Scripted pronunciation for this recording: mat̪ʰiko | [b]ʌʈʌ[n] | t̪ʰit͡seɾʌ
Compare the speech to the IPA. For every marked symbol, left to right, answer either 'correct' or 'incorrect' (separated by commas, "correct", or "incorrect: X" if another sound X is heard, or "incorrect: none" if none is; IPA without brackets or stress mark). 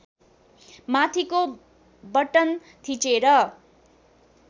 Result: correct, correct